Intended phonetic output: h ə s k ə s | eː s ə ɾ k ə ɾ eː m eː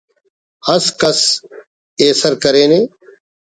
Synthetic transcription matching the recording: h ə s k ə s | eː s ə ɾ k ə ɾ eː n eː